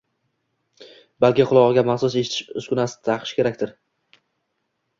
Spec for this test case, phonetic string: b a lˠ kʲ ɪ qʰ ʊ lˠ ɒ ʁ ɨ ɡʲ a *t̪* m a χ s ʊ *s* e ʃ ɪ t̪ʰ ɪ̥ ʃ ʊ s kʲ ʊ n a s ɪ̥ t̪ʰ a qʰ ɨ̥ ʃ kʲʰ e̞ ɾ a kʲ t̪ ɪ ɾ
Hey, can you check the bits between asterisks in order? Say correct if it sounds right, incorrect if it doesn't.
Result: incorrect: none, correct

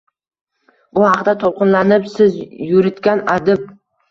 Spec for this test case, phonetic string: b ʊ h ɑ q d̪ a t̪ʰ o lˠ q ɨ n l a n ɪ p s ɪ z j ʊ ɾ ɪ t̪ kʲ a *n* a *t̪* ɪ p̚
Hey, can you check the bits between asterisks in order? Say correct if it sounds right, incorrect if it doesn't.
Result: correct, incorrect: d̪

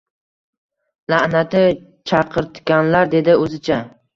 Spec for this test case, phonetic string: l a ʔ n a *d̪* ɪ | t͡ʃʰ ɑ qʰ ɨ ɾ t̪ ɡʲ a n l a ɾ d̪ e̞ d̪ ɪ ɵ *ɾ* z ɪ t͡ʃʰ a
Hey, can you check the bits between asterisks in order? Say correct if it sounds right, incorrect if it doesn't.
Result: incorrect: t̪, incorrect: none

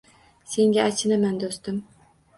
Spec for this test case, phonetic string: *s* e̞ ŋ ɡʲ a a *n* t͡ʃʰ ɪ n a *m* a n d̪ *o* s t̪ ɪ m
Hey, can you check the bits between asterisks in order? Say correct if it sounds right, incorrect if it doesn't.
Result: correct, incorrect: none, correct, correct

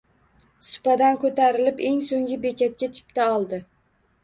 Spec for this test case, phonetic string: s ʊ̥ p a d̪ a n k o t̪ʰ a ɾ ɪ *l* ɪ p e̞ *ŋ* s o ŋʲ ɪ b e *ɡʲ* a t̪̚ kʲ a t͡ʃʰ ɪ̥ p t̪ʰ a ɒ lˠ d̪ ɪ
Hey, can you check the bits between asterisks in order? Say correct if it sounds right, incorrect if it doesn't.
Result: correct, correct, incorrect: kʲ

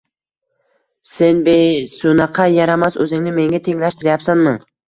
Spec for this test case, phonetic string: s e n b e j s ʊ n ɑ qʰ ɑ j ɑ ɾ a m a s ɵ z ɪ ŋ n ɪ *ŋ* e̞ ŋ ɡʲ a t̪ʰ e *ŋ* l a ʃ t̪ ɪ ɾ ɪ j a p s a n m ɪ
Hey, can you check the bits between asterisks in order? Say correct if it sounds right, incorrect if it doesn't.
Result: incorrect: m, correct

